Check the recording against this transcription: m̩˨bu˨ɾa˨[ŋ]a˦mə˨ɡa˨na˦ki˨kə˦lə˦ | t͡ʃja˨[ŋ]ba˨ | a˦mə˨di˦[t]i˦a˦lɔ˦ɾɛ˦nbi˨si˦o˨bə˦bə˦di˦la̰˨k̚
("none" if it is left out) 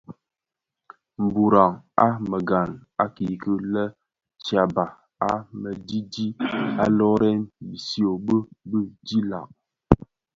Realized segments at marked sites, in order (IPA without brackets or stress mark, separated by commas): ŋ, none, d